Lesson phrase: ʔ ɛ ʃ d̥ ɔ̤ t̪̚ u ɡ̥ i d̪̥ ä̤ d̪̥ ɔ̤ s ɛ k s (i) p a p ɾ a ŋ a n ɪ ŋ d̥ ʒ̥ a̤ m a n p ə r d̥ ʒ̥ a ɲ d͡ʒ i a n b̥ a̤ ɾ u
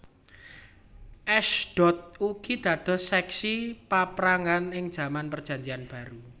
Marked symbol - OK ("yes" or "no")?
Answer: yes